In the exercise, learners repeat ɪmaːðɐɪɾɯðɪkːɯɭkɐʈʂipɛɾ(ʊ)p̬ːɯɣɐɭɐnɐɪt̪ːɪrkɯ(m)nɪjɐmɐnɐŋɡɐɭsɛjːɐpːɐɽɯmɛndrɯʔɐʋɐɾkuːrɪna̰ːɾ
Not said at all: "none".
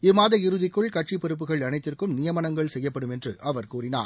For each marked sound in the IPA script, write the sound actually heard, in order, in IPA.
ɯ, m

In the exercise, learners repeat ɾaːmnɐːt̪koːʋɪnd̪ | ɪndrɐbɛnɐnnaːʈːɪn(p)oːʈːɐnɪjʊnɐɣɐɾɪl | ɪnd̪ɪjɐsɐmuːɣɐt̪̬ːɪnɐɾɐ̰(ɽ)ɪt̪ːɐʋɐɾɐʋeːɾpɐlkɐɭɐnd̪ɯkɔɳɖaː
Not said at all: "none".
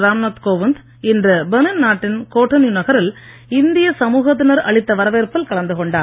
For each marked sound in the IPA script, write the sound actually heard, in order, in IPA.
k, ɭ

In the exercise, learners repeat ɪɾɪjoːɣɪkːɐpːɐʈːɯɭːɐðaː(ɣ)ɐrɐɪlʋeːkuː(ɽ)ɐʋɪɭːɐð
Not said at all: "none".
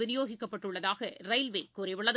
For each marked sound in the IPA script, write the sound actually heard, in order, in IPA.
ɣ, ɾ

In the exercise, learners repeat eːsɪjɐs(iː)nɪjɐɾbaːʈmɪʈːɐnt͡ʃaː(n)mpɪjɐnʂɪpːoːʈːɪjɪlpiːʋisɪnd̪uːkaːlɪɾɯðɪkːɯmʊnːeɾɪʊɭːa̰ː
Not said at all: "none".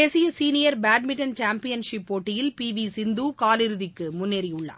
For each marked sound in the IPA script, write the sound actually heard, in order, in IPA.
iː, none

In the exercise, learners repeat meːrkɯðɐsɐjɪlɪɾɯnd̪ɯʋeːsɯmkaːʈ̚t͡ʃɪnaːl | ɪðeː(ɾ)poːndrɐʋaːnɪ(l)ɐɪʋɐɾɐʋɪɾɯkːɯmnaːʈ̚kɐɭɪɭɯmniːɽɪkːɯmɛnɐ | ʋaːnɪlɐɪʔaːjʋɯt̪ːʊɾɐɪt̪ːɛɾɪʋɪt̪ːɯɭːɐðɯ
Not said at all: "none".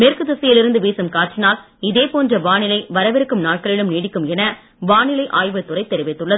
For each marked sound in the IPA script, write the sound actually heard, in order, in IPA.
none, l

